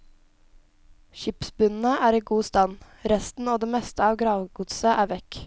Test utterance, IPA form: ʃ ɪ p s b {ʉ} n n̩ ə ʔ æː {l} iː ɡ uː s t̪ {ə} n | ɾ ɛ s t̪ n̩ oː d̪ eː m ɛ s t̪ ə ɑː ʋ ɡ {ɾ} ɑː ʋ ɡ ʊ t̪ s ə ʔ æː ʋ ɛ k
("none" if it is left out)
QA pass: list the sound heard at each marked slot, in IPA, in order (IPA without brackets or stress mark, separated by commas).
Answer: ʉ, ɾ, ɑ, ɾ